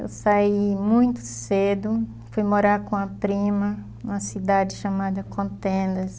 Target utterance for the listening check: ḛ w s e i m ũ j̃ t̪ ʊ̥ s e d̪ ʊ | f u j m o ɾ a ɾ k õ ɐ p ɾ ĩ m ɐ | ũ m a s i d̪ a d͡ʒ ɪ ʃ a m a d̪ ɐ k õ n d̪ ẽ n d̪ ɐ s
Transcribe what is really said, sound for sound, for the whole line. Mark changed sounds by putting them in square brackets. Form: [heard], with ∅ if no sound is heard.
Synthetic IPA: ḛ w s [a] i m ũ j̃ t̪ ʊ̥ s e d̪ ʊ | f u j m o ɾ a ɾ k õ ɐ p ɾ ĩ m ɐ | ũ m [ɐ] s i d̪ a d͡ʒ ɪ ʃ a m a d̪ ɐ k õ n [t̪] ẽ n d̪ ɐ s

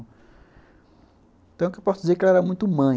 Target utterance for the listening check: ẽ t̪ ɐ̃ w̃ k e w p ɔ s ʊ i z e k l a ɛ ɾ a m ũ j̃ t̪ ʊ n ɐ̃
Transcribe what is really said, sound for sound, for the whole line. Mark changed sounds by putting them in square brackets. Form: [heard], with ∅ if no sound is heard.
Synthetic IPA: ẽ t̪ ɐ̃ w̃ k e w p ɔ s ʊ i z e k l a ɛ ɾ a m ũ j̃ t̪ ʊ [m] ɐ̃

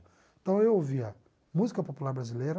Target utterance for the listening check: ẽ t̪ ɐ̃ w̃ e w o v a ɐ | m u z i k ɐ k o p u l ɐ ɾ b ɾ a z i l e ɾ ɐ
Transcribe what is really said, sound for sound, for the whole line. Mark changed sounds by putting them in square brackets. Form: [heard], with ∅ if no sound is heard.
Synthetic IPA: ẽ t̪ ɐ̃ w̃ e w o v [i] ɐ | m u z i k ɐ [p] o p u l [a] ɾ b ɾ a z i l e ɾ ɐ

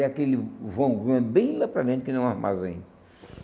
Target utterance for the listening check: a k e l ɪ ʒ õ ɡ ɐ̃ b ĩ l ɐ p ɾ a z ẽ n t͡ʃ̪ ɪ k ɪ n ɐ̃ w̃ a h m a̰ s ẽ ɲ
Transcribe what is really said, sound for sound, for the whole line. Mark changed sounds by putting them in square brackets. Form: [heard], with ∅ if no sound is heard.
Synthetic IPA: a k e l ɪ [v] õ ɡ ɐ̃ b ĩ l ɐ p ɾ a [ʒ] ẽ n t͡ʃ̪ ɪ k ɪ n ɐ̃ w̃ a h m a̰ [z] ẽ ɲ

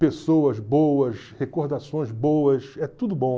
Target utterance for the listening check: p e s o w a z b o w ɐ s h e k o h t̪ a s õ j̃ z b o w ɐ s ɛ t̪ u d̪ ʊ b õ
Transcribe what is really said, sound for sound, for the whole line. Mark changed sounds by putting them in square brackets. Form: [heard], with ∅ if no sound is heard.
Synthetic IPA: p e s o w [ɐ] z b o w ɐ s h e k o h [d̪] a s õ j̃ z b o w ɐ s ɛ t̪ u d̪ ʊ b õ

